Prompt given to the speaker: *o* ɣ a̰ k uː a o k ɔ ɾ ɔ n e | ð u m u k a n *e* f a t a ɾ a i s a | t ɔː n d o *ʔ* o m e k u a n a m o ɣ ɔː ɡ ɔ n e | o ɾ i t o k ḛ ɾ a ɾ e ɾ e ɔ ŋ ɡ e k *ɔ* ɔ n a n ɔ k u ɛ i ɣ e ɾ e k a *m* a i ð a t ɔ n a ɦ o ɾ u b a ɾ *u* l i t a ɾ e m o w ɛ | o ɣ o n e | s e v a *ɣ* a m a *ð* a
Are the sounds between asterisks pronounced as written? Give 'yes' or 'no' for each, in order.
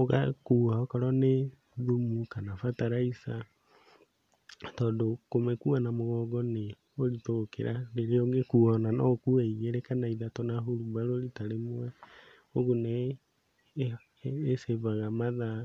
yes, no, no, no, no, no, yes, yes

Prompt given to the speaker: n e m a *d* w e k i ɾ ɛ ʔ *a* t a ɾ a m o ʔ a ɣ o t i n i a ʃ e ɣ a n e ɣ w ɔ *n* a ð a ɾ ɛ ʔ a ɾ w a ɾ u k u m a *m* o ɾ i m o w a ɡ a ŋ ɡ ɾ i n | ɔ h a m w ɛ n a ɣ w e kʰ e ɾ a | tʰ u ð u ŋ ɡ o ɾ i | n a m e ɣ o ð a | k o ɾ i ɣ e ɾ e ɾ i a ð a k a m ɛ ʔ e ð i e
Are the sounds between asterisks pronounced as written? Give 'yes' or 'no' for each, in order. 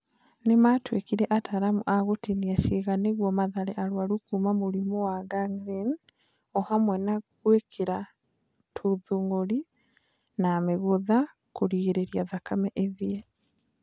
no, yes, no, yes

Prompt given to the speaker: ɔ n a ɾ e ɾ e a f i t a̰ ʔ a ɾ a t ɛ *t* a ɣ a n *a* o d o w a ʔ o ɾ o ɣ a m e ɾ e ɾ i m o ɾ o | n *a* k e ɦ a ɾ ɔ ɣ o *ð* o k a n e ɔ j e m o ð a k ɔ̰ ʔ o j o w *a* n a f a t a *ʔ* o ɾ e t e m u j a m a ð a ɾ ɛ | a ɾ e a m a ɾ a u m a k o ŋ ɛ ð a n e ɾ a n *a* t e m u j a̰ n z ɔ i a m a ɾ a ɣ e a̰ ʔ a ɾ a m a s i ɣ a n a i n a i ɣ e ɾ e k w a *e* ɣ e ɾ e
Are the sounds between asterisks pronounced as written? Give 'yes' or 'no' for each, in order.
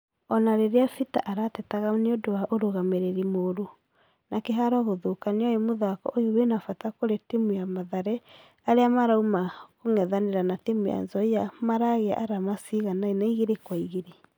yes, no, yes, yes, no, no, yes, no

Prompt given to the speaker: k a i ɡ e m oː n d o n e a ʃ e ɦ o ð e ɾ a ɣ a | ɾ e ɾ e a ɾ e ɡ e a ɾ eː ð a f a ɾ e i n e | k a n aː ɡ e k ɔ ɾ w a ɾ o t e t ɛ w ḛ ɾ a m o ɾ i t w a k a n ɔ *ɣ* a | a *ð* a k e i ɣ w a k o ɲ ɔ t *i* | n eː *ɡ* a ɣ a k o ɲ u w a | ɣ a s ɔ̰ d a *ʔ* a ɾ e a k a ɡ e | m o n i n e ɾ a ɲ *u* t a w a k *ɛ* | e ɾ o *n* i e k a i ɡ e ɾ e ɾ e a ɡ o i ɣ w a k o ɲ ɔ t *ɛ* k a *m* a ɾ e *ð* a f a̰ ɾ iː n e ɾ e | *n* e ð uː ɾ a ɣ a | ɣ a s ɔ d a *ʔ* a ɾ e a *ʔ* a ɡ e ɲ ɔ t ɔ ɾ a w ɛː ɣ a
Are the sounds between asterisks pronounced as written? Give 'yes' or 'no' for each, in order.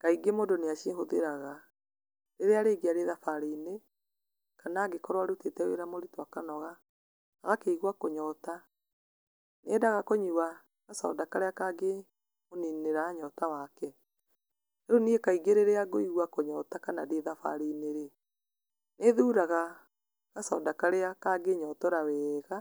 yes, no, no, no, no, no, yes, yes, no, no, yes, yes, no, no

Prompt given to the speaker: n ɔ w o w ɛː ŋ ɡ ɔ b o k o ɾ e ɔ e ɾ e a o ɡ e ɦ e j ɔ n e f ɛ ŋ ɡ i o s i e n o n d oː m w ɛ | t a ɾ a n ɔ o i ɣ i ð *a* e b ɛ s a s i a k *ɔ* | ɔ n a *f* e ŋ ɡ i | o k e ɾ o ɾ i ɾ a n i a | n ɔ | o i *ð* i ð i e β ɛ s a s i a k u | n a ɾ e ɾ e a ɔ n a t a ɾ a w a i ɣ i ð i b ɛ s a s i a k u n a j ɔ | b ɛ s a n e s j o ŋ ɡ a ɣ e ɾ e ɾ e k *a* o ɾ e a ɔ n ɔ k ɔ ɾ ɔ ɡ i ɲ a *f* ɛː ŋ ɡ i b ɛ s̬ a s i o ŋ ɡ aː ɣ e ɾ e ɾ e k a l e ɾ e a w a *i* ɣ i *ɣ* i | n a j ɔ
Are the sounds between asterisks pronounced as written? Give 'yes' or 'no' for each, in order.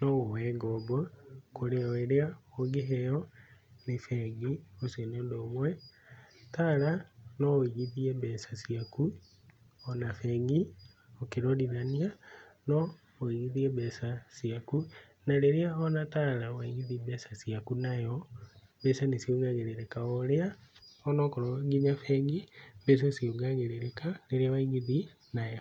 no, no, yes, no, yes, yes, yes, no

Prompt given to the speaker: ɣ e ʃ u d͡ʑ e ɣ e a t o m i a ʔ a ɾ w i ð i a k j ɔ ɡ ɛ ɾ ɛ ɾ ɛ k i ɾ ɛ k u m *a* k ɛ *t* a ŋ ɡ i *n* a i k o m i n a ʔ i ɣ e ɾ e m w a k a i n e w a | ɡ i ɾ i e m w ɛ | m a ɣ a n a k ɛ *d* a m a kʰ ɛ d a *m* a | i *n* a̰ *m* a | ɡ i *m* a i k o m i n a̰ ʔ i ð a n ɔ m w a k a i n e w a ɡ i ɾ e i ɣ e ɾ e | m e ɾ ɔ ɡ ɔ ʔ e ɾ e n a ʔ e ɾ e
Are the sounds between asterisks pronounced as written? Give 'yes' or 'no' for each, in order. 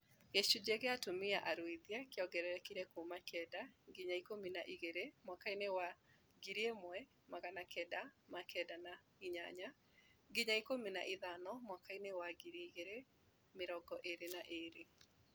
yes, no, no, yes, no, no, no, no

